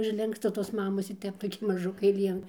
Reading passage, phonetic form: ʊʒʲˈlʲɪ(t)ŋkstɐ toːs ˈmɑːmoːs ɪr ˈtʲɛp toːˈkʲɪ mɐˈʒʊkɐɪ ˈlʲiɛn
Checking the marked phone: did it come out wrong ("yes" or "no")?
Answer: yes